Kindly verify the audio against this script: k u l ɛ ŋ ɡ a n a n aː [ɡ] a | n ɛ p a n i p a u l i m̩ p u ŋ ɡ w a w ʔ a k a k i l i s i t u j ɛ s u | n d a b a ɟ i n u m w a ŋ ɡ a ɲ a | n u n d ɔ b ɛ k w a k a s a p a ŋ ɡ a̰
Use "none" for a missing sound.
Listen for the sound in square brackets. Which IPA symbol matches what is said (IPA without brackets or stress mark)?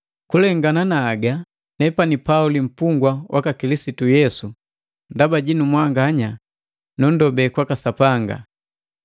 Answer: ɡ